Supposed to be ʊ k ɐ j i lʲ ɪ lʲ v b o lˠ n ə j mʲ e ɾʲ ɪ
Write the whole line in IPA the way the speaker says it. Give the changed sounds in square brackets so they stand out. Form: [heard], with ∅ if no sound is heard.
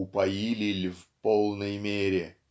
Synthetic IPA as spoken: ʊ [p] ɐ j i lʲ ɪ lʲ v [p] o lˠ n ə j mʲ e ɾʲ ɪ